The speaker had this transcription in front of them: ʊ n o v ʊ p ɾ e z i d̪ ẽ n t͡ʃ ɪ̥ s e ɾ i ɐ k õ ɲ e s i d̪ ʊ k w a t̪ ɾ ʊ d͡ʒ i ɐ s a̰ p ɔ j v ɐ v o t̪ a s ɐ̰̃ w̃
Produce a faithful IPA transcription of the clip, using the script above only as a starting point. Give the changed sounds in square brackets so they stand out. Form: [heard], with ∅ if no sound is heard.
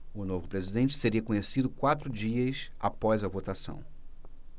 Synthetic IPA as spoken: ʊ n o v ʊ p ɾ e z i d̪ ẽ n t͡ʃ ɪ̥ s e ɾ i ɐ k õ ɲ e s i d̪ ʊ k w a t̪ ɾ ʊ d͡ʒ i ɐ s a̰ p ɔ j [z] ɐ v o t̪ a s ɐ̰̃ w̃